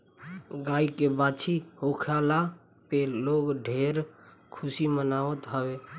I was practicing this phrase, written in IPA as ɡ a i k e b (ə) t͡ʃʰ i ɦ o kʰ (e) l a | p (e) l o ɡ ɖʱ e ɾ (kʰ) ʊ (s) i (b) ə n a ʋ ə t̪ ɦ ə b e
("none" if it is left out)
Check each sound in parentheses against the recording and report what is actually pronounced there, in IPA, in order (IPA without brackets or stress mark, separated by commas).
a, a, e, kʰ, s, m